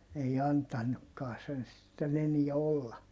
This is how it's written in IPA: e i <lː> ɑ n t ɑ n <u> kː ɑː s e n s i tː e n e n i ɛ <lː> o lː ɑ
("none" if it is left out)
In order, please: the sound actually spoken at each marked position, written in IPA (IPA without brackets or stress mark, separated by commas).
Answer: none, u, none